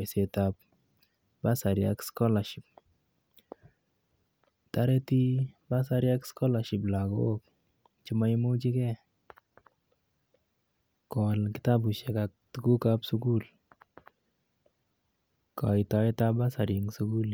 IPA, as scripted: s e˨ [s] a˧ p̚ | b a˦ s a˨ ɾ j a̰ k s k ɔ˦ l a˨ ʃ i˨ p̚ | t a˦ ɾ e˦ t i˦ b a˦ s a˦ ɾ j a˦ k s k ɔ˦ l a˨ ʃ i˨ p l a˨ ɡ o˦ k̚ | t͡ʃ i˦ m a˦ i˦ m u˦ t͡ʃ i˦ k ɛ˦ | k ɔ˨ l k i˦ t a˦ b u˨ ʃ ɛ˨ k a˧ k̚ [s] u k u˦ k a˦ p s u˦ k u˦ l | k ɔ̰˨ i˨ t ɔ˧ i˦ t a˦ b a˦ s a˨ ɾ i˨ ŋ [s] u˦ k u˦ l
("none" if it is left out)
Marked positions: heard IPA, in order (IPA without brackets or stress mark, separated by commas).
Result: t, t, s